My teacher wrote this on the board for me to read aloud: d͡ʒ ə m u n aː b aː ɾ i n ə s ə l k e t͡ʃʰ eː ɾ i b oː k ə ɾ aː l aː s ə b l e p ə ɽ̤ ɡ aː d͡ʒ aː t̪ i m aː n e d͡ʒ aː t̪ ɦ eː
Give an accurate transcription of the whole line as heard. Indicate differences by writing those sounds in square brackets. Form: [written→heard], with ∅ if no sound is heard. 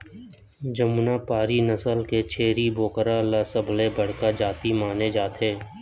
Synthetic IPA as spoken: d͡ʒ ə m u n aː [b→p] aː ɾ i n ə s ə l k e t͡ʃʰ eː ɾ i b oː k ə ɾ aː l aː s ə b l e [p→b] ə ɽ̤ [ɡ→k] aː d͡ʒ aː t̪ i m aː n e d͡ʒ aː t̪ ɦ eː

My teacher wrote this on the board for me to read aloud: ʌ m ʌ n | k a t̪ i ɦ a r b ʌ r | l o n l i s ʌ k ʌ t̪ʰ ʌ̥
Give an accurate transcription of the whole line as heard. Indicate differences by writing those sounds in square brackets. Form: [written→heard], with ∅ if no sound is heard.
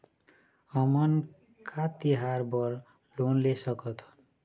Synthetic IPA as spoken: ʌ m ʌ n | k a t̪ i ɦ a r b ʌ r | l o n l [i→e] s ʌ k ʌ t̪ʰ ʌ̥

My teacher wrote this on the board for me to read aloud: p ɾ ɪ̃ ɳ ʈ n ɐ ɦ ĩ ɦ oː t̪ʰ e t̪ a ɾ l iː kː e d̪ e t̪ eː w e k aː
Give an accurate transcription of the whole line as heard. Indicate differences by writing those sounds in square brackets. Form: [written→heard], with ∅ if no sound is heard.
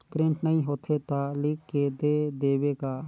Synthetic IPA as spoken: p ɾ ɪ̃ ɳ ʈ n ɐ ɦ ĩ ɦ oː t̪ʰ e t̪ a [ɾ→∅] l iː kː e d̪ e [t̪→d̪] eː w e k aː

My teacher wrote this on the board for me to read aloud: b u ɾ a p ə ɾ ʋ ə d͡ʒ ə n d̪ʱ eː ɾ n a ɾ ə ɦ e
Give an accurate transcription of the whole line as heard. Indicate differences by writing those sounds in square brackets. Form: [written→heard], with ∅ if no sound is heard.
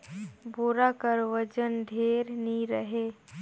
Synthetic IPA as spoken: b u ɾ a [p→k] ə ɾ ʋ ə d͡ʒ ə n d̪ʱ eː ɾ n [a→i] ɾ ə ɦ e

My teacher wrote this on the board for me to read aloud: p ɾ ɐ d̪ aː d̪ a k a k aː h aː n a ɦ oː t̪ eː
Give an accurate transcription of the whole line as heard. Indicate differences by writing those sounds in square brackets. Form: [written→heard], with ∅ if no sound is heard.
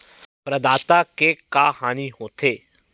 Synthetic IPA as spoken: p ɾ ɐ d̪ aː [d̪→t̪] a k [a→e] k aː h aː n [a→i] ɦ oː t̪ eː

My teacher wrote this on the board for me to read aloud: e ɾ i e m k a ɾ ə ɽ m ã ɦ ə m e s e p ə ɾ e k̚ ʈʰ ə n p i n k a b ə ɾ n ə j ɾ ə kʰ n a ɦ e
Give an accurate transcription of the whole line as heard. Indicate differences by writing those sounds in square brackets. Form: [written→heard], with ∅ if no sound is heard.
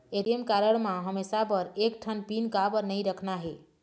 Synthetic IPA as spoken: e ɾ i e m k a ɾ ə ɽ m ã ɦ ə m e s [e→a] p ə ɾ e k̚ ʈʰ ə n p i n k a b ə ɾ n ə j ɾ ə kʰ n a ɦ e

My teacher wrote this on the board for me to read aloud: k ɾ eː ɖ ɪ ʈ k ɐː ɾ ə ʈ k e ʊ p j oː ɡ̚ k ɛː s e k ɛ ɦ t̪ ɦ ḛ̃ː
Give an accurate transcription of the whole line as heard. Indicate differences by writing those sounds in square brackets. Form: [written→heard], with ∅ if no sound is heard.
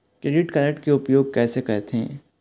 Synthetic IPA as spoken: k ɾ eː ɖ ɪ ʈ k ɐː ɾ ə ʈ k e ʊ p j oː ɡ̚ k ɛː s e k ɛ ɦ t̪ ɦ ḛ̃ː

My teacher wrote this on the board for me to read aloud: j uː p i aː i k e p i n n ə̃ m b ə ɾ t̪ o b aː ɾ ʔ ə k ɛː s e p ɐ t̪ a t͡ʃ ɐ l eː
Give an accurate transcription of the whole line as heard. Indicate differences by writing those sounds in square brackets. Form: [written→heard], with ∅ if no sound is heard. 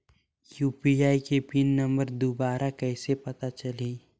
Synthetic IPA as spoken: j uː p i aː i k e p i n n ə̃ m b ə ɾ [t̪→d̪] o b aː ɾ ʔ [ə→a] k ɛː s e p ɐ t̪ a t͡ʃ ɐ l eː

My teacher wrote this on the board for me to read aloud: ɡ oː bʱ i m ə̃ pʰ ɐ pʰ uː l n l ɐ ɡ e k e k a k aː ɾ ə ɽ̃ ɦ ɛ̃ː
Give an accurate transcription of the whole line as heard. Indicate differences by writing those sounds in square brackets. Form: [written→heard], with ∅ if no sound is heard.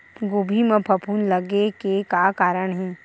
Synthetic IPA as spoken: ɡ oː bʱ i m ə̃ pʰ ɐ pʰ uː [l→∅] n l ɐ ɡ e k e k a k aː ɾ ə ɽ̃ ɦ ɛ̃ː

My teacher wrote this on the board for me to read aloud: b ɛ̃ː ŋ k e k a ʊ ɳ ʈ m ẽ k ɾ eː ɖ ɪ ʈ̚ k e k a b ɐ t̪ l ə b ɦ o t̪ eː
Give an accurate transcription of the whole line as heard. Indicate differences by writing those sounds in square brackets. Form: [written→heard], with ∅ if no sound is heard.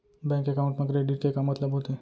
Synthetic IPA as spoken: b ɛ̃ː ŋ k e k a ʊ ɳ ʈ m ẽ k ɾ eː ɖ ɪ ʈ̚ k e k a [b→m] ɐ t̪ l ə b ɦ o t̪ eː

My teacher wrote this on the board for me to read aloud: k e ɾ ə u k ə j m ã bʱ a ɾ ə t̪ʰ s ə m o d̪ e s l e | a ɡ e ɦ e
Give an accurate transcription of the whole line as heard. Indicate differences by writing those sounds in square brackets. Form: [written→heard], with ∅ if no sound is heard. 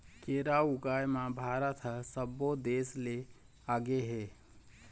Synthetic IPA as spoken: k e ɾ [ə→a] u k [ə→a] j m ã bʱ a ɾ ə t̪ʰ s ə [m→b] o d̪ e s l e | a ɡ e ɦ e

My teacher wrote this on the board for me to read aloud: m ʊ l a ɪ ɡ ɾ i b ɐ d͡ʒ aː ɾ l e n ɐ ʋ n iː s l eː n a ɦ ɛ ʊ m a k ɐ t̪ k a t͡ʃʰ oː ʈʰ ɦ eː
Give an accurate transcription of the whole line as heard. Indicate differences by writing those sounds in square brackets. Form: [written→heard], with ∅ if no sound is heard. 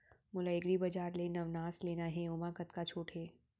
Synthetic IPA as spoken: m ʊ l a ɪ ɡ ɾ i b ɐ d͡ʒ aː ɾ l e n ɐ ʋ n [iː→aː] s l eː n a ɦ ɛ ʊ m a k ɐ t̪ k a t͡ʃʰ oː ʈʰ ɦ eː

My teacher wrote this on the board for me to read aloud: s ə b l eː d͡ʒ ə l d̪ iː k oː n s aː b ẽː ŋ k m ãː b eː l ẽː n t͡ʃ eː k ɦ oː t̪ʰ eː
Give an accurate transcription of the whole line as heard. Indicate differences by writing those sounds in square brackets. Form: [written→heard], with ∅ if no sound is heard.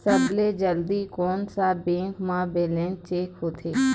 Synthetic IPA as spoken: s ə b l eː d͡ʒ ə l d̪ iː k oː n s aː b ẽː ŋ k m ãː b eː l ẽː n t͡ʃ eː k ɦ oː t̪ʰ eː

